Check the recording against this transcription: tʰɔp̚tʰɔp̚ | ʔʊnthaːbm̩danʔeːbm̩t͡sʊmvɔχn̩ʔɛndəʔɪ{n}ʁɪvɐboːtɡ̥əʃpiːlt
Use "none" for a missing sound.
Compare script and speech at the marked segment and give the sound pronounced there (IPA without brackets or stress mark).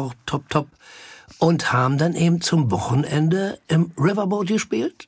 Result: m